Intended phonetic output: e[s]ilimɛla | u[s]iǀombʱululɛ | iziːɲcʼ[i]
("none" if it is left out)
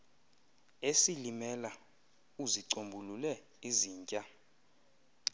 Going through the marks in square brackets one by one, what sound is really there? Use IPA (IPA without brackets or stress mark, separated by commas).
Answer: s, z, a